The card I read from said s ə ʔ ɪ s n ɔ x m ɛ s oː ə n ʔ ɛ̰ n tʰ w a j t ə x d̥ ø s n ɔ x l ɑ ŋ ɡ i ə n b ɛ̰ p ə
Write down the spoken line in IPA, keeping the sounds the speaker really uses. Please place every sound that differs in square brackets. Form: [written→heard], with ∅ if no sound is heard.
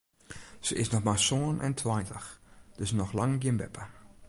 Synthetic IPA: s ə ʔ ɪ s n ɔ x m [ɛ→a] s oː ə n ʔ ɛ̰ n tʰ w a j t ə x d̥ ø s n ɔ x l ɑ ŋ ɡ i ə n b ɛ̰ p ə